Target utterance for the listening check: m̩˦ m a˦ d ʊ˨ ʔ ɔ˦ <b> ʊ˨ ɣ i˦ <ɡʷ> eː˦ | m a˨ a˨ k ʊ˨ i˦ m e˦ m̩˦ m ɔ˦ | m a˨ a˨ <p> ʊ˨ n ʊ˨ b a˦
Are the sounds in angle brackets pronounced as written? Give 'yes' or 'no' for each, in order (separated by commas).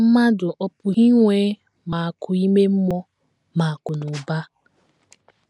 no, no, no